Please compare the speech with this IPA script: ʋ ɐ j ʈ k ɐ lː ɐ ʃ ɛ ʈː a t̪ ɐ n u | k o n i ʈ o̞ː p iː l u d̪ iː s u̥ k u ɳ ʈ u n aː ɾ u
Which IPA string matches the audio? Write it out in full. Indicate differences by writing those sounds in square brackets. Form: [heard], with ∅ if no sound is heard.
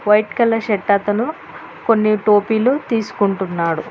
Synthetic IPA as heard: ʋ ɐ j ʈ k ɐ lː ɐ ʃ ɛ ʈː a t̪ ɐ n u | k o [nː] i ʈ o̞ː p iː l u [t̪] iː s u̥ k u ɳ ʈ u [nː] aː [ɽ] u